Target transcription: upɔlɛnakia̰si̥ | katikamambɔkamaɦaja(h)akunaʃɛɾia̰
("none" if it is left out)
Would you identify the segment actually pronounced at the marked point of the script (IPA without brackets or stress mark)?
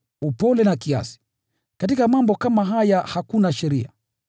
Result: h